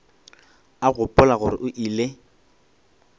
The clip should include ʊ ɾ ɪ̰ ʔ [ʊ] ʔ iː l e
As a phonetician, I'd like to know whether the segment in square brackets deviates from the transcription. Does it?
no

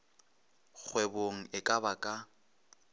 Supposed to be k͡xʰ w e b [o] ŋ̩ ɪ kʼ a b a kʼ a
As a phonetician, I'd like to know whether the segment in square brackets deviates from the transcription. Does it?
no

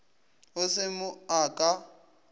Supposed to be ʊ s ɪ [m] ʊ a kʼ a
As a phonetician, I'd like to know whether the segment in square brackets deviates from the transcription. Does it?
no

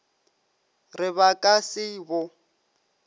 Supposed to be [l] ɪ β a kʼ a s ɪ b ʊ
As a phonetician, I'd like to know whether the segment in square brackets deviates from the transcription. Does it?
yes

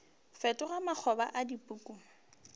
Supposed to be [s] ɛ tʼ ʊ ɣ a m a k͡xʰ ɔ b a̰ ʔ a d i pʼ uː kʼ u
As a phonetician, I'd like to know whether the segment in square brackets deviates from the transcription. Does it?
yes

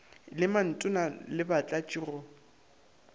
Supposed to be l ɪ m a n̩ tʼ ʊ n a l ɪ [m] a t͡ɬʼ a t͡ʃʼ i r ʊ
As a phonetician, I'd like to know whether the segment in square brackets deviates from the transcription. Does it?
yes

